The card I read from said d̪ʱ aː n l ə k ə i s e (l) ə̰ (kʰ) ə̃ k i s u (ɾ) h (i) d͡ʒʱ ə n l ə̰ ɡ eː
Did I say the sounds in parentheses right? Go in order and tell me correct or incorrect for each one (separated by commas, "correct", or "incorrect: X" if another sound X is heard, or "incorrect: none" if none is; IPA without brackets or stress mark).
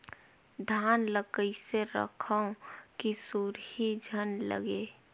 incorrect: ɾ, correct, correct, correct